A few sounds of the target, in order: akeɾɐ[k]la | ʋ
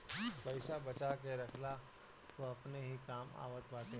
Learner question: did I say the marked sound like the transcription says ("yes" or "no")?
no